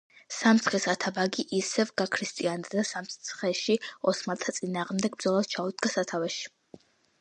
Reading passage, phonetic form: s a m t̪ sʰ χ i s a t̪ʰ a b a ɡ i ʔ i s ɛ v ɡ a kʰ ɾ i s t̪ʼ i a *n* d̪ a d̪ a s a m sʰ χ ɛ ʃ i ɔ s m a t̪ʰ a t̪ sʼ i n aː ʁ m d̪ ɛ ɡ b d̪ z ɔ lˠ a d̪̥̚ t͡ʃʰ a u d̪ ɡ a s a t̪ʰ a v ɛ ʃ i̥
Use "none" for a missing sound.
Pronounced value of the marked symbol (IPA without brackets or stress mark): n